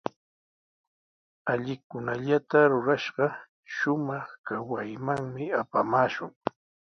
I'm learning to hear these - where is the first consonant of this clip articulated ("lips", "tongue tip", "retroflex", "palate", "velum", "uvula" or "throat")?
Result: palate